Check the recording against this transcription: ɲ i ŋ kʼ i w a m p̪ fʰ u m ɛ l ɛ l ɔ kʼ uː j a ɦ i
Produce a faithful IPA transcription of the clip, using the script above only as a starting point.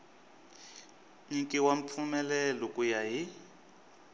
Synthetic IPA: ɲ i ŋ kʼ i w a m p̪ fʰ u m ɛ l ɛ l ɔ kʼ u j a ɦ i